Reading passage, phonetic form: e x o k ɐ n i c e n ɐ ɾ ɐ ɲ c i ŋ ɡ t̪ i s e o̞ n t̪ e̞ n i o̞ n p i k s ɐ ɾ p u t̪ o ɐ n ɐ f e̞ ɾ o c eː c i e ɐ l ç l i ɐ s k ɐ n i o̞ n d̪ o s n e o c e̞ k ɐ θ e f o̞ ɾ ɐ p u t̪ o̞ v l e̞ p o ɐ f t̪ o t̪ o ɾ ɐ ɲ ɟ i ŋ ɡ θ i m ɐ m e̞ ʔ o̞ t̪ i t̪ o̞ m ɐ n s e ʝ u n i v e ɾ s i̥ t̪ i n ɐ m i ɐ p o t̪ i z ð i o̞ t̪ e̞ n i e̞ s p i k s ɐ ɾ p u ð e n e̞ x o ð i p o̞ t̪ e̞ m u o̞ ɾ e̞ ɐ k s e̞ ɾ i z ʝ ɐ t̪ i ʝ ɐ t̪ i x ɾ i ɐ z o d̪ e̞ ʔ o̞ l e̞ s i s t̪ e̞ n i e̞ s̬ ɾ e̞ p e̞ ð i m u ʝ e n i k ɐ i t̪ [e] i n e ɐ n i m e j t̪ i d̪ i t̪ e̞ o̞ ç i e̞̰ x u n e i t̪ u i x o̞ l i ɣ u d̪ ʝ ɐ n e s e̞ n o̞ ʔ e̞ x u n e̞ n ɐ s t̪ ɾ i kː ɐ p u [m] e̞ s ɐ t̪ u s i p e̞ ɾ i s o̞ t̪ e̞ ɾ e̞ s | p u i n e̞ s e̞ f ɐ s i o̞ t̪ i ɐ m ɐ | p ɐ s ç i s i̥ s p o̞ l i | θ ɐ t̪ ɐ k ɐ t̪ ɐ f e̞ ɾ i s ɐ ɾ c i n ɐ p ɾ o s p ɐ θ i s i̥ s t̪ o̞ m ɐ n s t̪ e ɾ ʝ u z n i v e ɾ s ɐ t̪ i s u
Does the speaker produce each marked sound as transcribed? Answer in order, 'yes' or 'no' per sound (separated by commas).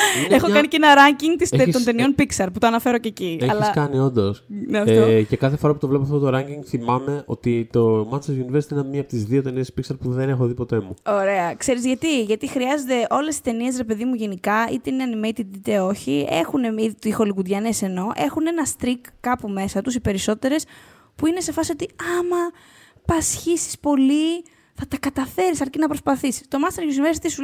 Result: yes, yes